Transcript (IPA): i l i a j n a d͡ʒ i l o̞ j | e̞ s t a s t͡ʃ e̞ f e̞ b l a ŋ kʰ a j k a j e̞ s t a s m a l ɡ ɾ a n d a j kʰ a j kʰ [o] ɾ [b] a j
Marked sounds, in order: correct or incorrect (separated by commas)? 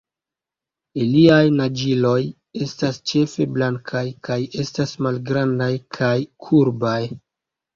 incorrect, correct